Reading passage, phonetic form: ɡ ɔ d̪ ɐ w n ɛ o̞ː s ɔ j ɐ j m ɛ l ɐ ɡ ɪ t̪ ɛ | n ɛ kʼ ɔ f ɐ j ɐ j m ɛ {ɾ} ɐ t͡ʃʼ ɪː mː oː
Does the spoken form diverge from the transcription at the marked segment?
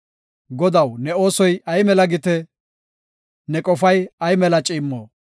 yes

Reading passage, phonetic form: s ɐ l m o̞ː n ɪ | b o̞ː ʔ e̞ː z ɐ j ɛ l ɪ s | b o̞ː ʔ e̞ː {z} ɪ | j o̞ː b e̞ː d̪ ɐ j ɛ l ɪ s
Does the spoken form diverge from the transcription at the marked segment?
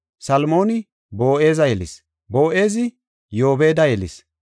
no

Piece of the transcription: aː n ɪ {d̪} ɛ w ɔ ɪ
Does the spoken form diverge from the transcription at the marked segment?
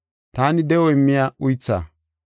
no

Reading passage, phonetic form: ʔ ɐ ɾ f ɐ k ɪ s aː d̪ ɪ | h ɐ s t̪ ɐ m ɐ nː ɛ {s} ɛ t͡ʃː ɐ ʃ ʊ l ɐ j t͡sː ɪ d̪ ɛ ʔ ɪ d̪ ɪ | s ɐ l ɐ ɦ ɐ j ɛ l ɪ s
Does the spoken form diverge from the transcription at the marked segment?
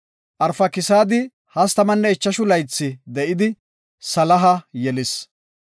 yes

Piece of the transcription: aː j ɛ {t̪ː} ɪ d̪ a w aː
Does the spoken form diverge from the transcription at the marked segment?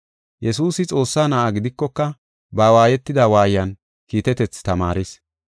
no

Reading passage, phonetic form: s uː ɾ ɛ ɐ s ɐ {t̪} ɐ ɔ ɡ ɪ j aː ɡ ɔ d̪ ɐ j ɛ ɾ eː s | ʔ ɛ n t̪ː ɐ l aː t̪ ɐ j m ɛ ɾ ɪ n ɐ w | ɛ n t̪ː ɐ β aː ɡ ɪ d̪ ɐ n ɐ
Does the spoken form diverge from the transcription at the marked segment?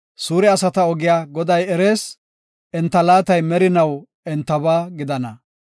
no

